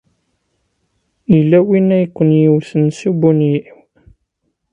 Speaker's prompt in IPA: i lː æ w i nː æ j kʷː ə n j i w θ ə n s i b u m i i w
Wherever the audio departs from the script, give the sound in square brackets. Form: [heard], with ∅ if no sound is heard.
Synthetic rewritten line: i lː æ w i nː æ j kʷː ə n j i w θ ə n s i b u [n] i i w